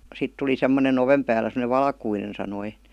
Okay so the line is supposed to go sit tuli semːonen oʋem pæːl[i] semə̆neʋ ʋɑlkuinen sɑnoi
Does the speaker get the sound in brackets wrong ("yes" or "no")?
yes